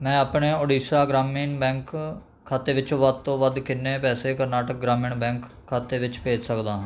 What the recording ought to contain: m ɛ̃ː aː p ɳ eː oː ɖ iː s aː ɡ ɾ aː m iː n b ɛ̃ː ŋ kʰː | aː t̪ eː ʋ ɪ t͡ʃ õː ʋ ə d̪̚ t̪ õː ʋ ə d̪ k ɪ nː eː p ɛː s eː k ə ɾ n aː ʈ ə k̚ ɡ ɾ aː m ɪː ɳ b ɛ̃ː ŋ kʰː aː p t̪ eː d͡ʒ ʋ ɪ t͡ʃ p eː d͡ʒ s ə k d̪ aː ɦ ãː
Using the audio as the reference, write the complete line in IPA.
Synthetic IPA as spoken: m ɛ̃ː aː p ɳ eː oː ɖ iː s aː ɡ ɾ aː m iː n b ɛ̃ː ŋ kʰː | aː t̪ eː ʋ ɪ t͡ʃ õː ʋ ə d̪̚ t̪ õː ʋ ə d̪ k ɪ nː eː p ɛː s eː k ə ɾ n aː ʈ ə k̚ ɡ ɾ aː m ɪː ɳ b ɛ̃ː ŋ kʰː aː t̪ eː ʋ ɪ t͡ʃ p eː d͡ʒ s ə k d̪ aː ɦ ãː

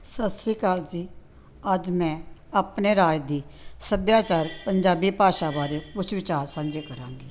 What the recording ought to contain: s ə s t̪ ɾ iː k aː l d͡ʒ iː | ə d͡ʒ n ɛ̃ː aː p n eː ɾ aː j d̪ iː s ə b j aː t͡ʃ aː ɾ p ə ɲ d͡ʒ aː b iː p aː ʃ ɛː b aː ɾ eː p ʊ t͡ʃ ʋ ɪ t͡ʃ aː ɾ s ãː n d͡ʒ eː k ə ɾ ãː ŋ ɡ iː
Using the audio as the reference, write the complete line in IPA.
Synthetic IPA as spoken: s ə s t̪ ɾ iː k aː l d͡ʒ iː | ə d͡ʒ m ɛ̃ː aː p n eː ɾ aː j d̪ iː s ə b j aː t͡ʃ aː ɾ p ə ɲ d͡ʒ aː b iː p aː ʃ aː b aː ɾ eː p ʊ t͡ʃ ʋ ɪ t͡ʃ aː ɾ s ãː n d͡ʒ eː k ə ɾ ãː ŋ ɡ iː

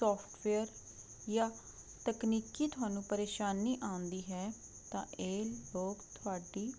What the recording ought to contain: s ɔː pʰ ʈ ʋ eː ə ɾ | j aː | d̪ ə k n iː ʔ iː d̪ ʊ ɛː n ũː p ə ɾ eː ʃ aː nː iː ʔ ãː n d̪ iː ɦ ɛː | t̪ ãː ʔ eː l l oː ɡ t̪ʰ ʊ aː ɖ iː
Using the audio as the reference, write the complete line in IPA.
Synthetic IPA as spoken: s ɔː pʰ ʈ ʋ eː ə ɾ | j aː | t̪ ə k n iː k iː t̪ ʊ aː n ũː p ə ɾ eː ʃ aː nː iː ʔ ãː n d̪ iː ɦ ɛː | t̪ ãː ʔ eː l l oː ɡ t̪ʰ ʊ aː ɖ iː

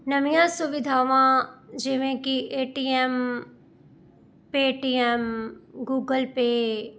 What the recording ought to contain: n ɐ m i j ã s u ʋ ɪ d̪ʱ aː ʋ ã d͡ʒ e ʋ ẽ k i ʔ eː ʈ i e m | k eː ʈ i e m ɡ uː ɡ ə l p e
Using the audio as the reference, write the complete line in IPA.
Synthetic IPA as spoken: n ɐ m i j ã s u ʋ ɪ d̪ʱ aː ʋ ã d͡ʒ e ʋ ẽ k i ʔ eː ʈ i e m | p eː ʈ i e m ɡ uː ɡ ə l p e

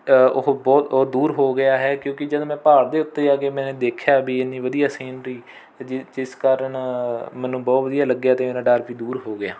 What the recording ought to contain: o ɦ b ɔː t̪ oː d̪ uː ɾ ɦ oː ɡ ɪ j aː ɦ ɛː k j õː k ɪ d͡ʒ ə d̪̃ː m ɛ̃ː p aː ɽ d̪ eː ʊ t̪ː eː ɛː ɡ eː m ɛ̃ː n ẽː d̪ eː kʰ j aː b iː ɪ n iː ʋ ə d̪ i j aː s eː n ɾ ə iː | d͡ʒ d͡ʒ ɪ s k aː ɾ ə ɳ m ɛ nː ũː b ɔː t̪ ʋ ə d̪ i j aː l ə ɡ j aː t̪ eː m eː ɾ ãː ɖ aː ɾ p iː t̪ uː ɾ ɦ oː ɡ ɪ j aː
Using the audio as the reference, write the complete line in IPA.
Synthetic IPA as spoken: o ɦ b ɔː t̪ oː d̪ uː ɾ ɦ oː ɡ ɪ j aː ɦ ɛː k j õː k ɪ d͡ʒ ə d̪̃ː m ɛ̃ː p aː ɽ d̪ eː ʊ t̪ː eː aː ɡ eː m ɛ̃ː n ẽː d̪ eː kʰ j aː b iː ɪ n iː ʋ ə d̪ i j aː s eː n ɾ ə iː | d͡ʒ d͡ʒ ɪ s k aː ɾ ə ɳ m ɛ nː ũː b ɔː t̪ ʋ ə d̪ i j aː l ə ɡ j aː t̪ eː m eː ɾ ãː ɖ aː ɾ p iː d̪ uː ɾ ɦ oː ɡ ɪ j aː

